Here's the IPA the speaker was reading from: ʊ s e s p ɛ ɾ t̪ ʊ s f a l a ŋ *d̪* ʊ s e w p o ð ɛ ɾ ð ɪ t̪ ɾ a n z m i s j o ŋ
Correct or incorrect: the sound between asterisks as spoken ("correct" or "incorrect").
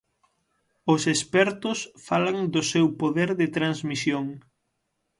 correct